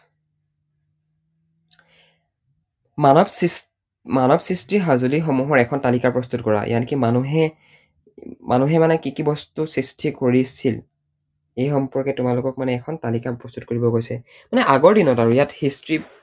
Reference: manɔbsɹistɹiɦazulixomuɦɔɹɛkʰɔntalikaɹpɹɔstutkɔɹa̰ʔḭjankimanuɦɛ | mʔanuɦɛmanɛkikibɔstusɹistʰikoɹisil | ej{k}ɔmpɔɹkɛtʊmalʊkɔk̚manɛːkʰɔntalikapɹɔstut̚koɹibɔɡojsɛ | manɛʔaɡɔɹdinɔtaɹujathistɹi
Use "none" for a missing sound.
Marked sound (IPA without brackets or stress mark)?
x